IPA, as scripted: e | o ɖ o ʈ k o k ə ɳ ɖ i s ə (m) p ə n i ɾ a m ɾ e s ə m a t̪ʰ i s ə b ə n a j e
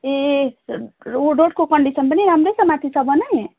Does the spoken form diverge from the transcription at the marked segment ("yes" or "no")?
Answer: yes